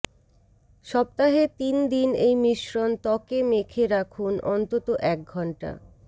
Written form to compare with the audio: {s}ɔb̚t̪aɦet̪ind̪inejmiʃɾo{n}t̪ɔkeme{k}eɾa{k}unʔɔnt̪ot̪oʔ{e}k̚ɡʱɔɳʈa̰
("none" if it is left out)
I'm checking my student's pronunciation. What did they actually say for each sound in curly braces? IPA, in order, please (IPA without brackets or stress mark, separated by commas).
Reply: ʃ, n, kʰ, kʰ, ɛ